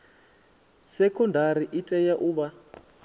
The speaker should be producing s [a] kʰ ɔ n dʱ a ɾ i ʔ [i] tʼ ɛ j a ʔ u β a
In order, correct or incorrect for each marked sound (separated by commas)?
incorrect, correct